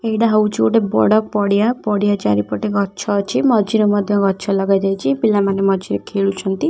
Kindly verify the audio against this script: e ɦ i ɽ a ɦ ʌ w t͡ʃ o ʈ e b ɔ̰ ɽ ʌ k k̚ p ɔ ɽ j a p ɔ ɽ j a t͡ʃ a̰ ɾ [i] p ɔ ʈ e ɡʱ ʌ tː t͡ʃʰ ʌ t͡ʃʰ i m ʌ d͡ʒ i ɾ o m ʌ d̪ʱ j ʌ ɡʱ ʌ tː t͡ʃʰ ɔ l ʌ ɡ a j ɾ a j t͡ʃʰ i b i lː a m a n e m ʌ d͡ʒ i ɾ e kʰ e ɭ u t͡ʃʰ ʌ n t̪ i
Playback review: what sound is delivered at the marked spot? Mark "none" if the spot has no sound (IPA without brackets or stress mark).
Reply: i